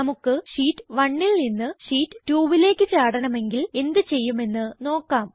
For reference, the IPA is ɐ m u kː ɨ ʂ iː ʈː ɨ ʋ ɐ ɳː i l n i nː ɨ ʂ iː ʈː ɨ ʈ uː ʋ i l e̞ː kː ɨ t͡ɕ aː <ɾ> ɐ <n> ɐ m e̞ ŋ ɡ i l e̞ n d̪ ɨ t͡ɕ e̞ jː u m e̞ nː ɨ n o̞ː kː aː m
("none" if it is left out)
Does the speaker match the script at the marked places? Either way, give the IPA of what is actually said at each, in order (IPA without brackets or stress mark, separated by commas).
ɽ, ɳ